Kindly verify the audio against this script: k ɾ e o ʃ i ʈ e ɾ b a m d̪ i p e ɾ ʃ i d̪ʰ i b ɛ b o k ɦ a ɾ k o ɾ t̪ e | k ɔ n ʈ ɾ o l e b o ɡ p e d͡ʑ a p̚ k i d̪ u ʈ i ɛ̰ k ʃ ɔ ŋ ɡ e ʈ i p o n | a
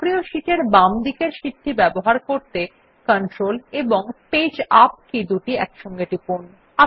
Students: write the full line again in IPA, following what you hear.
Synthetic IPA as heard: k ɾ i o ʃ i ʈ e ɾ b a m d̪ i k e ɾ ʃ i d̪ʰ i b ɛ b o ɦ a ɾ k o ɾ t̪ e | k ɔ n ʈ ɾ o l e b o ŋ p e d͡ʑ a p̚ k i d̪ u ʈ i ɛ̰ k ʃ ɔ ŋ ɡ e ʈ i p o n | a

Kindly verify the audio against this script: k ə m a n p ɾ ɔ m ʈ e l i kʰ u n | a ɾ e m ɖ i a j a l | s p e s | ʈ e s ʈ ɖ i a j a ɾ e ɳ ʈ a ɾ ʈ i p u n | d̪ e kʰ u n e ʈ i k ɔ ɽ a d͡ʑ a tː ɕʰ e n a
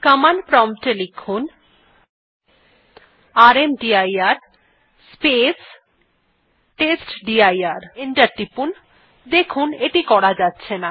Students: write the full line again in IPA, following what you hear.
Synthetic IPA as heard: k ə m a n p ɾ ɔ m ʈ e l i kʰ u n | a ɾ e m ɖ i a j a ɾ | s p e s | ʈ e s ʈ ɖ i a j a ɾ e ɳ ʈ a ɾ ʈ i p u n | d̪ e kʰ u n e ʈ i k ɔ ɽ a d͡ʑ a tː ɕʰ e n a

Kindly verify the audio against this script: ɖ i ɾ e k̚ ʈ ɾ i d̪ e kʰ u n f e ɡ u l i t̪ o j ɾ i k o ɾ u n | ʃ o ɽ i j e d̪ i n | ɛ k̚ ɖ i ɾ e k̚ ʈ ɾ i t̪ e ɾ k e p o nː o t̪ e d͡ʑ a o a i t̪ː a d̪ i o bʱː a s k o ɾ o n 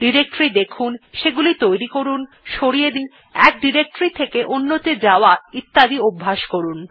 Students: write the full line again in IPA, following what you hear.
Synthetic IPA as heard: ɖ i ɾ e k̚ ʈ ɾ i d̪ e kʰ u n ʃ e ɡ u l i t̪ o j ɾ i k o ɾ u n | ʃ o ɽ i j e d̪ i n | ɛ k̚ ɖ i ɾ e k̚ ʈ ɾ i t̪ʰ e k e ʔ o nː o t̪ e d͡ʑ a o a i t̪ː a d̪ i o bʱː a ʃ k o ɾ u n

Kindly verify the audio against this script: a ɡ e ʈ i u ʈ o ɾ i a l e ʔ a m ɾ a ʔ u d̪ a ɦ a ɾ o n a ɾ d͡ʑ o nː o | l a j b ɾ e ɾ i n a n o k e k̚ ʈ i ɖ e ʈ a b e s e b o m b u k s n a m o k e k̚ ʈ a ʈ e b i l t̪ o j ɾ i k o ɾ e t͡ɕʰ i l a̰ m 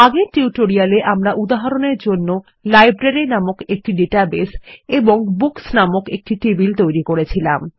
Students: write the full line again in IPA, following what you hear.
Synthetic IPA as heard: a ɡ e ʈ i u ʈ o ɾ i a l e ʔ a m ɾ a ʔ u d̪ a ɦ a ɾ o n e ɾ d͡ʑ o nː o | l a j b ɾ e ɾ i n a m o k e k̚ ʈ i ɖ e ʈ a b e s e b o ŋ b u k s n a m o k e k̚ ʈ i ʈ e b i l t̪ o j ɾ i k o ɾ e t͡ɕʰ i l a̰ m

